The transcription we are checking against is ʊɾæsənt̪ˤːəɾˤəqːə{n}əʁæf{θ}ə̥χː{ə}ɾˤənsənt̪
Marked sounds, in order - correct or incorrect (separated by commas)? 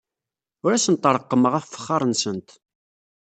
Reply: incorrect, incorrect, incorrect